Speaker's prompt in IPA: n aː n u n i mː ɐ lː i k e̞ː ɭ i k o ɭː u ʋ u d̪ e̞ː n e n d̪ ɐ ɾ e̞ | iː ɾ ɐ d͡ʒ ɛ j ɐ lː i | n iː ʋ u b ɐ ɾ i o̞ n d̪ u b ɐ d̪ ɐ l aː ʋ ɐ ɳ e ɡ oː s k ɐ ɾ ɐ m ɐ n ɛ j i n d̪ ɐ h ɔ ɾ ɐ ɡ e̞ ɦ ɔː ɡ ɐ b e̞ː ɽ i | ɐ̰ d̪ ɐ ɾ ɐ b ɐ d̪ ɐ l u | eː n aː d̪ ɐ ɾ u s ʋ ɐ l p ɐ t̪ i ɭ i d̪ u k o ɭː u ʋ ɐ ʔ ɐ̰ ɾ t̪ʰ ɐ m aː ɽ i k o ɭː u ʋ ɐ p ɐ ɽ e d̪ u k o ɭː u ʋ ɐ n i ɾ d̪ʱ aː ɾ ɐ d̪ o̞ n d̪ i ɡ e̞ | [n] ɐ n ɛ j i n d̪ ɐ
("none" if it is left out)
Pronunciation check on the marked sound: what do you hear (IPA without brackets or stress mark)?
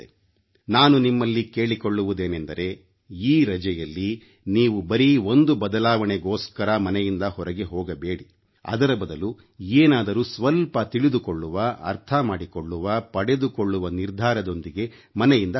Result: m